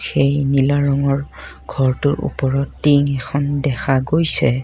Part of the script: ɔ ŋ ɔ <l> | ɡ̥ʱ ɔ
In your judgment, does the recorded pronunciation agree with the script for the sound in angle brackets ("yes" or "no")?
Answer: no